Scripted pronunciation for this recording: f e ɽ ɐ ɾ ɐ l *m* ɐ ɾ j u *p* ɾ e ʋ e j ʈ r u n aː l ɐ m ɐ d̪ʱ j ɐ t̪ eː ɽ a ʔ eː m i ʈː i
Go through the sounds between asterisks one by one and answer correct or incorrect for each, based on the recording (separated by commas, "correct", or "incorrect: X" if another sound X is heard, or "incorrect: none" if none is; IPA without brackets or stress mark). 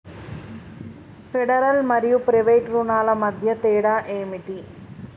correct, correct